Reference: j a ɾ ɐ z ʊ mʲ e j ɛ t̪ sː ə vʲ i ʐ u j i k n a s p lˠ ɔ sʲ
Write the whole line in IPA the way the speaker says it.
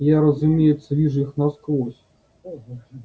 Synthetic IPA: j a ɾ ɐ z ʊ mʲ e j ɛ t̪ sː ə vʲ i ʐ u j i x n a s k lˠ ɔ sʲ